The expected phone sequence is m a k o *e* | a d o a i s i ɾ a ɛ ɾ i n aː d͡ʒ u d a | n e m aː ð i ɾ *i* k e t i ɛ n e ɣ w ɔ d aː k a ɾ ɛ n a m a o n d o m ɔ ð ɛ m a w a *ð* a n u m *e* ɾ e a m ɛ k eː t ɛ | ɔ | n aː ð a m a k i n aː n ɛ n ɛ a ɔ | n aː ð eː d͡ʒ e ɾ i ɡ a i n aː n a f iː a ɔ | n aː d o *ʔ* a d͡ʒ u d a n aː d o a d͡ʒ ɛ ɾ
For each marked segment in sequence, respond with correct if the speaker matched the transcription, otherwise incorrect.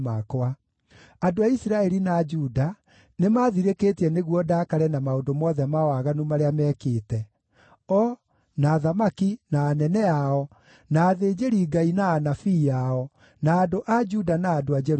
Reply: incorrect: a, incorrect: e, incorrect: ɣ, incorrect: a, correct

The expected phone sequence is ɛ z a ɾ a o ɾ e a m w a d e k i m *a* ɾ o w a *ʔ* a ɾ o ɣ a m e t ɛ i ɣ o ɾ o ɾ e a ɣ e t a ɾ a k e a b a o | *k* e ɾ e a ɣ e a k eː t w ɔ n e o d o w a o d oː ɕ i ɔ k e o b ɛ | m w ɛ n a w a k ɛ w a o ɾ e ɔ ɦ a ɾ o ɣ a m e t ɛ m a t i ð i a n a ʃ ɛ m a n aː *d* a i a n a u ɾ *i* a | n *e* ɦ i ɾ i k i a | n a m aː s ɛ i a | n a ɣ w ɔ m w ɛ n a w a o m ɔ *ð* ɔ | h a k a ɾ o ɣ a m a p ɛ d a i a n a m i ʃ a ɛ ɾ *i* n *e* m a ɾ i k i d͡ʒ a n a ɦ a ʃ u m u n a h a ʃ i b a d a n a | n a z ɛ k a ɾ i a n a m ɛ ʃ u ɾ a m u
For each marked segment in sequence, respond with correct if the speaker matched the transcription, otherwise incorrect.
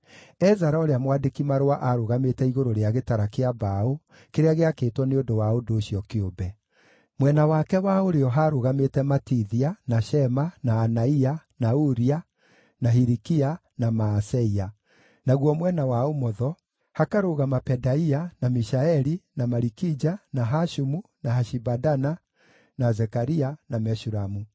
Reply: correct, correct, correct, incorrect: n, correct, incorrect: a, correct, correct, incorrect: a

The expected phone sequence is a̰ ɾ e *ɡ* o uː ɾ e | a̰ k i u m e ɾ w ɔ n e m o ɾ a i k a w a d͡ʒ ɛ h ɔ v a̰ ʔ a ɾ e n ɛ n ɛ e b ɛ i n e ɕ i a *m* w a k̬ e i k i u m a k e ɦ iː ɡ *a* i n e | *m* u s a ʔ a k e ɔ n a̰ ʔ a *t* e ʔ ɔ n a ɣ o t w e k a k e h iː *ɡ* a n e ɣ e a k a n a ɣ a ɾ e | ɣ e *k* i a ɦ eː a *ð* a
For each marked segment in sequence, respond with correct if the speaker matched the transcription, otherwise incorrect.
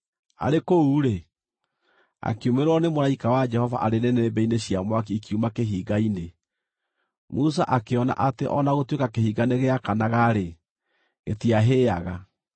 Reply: incorrect: k, correct, correct, correct, correct, correct, incorrect: t, incorrect: ɣ

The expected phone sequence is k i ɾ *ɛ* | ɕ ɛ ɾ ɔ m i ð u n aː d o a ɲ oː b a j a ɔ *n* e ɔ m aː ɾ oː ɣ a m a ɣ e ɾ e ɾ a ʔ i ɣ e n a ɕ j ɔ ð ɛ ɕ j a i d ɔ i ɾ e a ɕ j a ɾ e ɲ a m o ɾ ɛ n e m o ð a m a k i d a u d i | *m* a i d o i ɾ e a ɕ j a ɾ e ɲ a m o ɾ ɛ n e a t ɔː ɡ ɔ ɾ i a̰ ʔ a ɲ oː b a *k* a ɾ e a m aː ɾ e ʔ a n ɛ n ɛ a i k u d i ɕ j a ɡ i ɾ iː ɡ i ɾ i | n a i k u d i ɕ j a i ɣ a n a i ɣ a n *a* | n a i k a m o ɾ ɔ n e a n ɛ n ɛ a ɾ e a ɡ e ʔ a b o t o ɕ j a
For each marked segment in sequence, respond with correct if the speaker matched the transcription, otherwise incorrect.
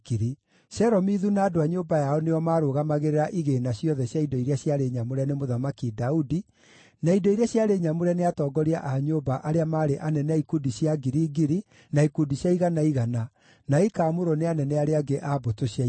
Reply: incorrect: i, correct, incorrect: n, incorrect: ʔ, correct

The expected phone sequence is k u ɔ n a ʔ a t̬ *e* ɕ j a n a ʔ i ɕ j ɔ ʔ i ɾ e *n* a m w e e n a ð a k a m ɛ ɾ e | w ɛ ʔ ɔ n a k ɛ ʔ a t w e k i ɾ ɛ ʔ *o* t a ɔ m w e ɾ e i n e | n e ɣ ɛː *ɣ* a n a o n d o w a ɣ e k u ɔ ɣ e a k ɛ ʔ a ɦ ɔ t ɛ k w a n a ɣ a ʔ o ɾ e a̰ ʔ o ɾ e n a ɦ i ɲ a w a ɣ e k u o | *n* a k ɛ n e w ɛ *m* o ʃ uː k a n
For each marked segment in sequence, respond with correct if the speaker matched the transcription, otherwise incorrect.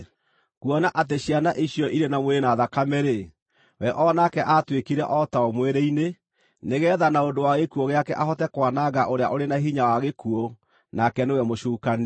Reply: correct, correct, incorrect: ɔ, incorrect: ð, correct, correct

